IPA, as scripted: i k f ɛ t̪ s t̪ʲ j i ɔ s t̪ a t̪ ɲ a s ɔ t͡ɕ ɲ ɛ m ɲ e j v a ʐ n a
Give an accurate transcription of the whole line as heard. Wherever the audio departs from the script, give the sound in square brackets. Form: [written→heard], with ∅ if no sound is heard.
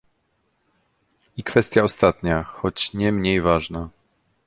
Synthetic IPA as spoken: i k f ɛ [t̪→∅] s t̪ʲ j [i→a] ɔ s t̪ a t̪ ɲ a [s→x] ɔ t͡ɕ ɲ ɛ m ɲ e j v a ʐ n a